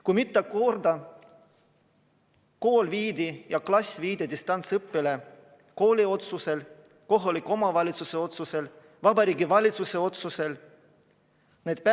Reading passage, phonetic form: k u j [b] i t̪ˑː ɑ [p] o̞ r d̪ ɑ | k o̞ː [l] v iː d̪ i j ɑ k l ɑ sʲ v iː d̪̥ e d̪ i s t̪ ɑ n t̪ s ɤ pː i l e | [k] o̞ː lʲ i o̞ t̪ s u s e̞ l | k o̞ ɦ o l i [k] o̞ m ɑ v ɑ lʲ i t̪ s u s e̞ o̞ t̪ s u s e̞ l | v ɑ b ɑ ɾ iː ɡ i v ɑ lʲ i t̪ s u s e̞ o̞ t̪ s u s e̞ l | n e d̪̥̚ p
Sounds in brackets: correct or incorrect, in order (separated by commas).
incorrect, incorrect, correct, correct, correct